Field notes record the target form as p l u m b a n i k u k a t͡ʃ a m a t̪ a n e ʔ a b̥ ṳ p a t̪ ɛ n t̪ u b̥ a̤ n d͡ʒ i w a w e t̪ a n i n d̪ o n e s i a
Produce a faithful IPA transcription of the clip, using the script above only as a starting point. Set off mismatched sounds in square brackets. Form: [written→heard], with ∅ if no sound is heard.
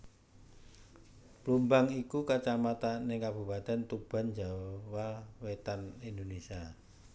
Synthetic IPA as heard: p l u m b a [n→ŋ] i k u k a t͡ʃ a m a t̪ a n e [ʔ→k] a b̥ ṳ p a t̪ ɛ n t̪ u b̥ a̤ n d͡ʒ [i→a] w a w e t̪ a n i n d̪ o n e s i a